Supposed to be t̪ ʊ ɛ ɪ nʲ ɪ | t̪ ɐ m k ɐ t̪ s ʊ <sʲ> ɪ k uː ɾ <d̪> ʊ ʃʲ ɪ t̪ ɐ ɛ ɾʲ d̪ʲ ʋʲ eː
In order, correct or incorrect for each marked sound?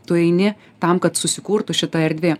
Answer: correct, incorrect: t̪

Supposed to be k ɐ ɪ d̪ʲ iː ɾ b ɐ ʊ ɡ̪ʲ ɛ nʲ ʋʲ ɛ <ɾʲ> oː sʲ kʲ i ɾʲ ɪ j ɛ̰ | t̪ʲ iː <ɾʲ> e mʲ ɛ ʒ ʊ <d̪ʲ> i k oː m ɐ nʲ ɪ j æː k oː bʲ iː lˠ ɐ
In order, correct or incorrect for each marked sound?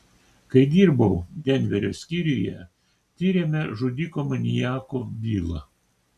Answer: correct, correct, correct

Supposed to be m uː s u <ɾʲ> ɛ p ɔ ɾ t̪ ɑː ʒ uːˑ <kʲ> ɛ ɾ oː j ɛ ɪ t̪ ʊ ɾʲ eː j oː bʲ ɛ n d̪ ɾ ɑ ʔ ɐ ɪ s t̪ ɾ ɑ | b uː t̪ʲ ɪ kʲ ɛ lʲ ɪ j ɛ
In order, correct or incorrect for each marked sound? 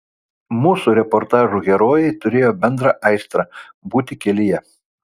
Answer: correct, incorrect: ɡʲ

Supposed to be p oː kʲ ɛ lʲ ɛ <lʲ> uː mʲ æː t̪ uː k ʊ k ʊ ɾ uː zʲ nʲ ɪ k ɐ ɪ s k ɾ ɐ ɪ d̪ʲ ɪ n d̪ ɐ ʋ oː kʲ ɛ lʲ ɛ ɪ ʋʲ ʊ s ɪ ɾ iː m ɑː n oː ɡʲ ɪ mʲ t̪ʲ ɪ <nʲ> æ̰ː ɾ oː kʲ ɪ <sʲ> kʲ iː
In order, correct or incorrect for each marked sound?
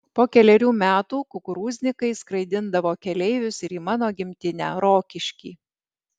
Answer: incorrect: ɾʲ, correct, incorrect: ʃʲ

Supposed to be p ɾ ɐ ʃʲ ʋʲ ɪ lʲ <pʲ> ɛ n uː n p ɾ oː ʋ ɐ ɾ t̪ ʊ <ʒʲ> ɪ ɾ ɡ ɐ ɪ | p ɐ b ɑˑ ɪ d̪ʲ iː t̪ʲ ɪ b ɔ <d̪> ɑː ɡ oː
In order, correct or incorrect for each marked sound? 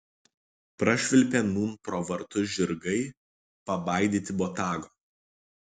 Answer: correct, correct, incorrect: t̪

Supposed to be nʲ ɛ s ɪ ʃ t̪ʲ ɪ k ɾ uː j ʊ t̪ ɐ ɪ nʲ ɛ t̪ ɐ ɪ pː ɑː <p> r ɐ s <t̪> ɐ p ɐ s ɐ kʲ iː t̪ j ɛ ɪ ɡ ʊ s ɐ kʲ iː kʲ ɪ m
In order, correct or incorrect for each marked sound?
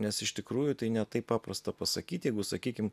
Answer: correct, correct

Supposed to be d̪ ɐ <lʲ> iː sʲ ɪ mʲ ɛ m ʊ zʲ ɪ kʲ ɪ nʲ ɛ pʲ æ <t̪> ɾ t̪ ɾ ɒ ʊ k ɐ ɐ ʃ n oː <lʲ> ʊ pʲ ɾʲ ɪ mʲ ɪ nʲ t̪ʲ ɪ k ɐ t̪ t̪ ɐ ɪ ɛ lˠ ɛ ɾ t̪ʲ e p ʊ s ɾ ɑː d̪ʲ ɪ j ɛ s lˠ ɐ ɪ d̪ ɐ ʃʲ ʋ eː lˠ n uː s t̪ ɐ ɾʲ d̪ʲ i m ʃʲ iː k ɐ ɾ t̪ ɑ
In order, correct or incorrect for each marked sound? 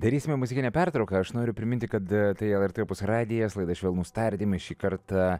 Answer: incorrect: ɾʲ, incorrect: none, incorrect: ɾʲ

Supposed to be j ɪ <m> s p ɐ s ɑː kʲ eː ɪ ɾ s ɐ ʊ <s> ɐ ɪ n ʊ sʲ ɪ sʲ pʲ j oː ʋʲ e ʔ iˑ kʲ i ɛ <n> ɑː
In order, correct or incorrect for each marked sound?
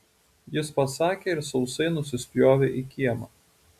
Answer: incorrect: none, correct, incorrect: m

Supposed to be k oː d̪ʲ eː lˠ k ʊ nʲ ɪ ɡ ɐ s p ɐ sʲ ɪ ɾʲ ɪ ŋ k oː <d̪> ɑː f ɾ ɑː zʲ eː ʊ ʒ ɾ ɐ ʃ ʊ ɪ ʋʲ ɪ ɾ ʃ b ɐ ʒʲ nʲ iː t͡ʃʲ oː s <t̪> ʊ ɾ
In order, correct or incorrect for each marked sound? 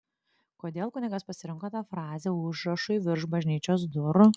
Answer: incorrect: t̪, incorrect: d̪

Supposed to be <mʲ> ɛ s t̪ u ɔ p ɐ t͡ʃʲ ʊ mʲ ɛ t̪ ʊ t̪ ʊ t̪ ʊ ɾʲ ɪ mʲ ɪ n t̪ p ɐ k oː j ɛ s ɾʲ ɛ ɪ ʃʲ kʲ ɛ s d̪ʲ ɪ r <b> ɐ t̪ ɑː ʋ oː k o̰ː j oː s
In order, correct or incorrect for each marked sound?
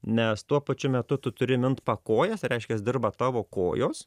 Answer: incorrect: nʲ, correct

